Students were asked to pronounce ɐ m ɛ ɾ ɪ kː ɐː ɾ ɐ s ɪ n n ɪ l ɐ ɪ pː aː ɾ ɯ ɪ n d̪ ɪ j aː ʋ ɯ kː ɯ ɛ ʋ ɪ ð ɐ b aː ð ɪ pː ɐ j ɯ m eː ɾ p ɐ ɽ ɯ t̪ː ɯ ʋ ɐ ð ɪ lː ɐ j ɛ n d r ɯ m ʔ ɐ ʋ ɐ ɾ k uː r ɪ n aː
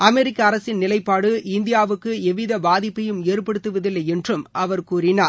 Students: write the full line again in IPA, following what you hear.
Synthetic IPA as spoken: ɐ m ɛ ɾ ɪ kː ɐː ɾ ɐ s ɪ n n ɪ l ɐ ɪ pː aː ɽ ɯ ɪ n d̪ ɪ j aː ʋ ɯ kː ɯ ɛ ʋ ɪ ð ɐ b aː ð ɪ pː ɐ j ɯ m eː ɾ p ɐ ɽ ɯ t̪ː ɯ ʋ ɐ ð ɪ lː ɐ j ɛ n d r ɯ m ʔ ɐ ʋ ɐ ɾ k uː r ɪ n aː